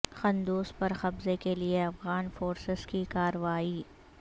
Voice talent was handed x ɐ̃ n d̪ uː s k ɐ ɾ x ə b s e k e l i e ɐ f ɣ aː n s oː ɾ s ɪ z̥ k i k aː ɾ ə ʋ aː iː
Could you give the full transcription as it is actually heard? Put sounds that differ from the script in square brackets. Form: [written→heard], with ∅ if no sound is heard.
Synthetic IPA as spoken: x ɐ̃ n d̪ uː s [k→p] ɐ ɾ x [ə→ɐ] b [s→z] e k e l i e ɐ f ɣ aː n [s→f] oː ɾ s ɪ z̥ k i k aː ɾ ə ʋ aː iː